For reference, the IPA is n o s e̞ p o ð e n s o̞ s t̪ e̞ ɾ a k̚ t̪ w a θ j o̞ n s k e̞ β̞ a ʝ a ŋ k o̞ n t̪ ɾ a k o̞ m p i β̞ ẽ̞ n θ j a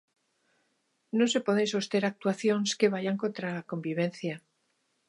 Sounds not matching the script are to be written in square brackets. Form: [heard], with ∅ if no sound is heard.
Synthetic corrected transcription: n o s e̞ p o ð e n s o̞ s t̪ e̞ ɾ a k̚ t̪ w a θ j o̞ n s k e̞ β̞ a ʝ a ŋ k o̞ n t̪ ɾ a k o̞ m [b] i β̞ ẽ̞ n θ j a